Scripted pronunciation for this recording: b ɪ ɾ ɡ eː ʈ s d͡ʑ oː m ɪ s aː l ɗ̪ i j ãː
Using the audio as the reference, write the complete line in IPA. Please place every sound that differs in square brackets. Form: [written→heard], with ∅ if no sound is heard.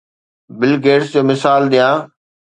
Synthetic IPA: b ɪ [ɾ→l] ɡ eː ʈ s d͡ʑ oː m ɪ s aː l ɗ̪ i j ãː